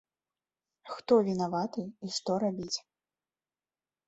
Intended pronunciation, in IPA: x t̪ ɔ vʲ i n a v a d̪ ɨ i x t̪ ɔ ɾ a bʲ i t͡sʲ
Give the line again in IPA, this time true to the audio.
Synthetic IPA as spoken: x t̪ ɔ vʲ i n a v a t̪ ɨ i ʂ t̪ ɔ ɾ a bʲ i t͡sʲ